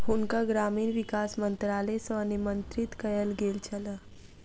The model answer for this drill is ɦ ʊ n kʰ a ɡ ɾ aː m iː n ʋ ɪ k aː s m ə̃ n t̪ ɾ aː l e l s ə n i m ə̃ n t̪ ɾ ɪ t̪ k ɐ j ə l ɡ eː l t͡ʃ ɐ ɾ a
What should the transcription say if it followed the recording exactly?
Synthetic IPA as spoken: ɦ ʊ n k a ɡ ɾ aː m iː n ʋ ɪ k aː s m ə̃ n t̪ ɾ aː l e s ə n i m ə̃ n t̪ ɾ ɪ t̪ k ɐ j ə l ɡ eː l t͡ʃ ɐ l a

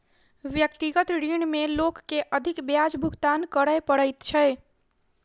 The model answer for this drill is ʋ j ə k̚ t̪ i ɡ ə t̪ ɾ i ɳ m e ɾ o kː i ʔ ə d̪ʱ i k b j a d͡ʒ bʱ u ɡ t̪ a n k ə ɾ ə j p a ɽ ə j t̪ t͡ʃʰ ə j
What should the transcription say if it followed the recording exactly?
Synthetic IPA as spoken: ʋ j ə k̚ t̪ i ɡ ə t̪ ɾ i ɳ m e l o kː e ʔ ə d̪ʱ i k b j a d͡ʒ bʱ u ɡ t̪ a n k ə ɾ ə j p ə ɽ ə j t̪ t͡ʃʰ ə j

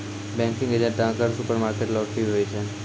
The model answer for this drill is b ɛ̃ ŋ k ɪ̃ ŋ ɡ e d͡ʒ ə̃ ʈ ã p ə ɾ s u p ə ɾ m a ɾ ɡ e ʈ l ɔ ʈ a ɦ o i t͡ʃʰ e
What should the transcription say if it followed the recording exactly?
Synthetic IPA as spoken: b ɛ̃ ŋ k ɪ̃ ŋ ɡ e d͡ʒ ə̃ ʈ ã k ə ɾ s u p ə ɾ m a ɾ k e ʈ l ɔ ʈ i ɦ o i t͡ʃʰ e

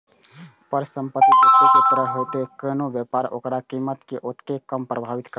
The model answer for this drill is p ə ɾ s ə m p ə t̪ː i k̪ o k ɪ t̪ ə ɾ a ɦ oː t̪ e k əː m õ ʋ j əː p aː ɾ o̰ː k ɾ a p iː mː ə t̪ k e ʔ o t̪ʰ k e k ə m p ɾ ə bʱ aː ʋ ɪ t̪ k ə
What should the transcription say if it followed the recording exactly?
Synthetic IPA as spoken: p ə ɾ s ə m p ə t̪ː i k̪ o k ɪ t̪ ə ɾ ə ɦ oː t̪ e k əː n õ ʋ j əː p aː ɾ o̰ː k ɾ a k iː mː ə t̪ k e ʔ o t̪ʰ k e k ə m p ɾ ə bʱ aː ʋ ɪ t̪ k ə

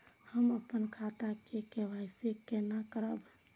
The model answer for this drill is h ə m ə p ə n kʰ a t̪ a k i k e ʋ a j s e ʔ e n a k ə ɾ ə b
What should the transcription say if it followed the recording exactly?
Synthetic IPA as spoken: h ə m ə p ə n kʰ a t̪ a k e k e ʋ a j s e k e n a k ə ɾ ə b

